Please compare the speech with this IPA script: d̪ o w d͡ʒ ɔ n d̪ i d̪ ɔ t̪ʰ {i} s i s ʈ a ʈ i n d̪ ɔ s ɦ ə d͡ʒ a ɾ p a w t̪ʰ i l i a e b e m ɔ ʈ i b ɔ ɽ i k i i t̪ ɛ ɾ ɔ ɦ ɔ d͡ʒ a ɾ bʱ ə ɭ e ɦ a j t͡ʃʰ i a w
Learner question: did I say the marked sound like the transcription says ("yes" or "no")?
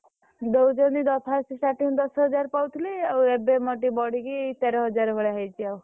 no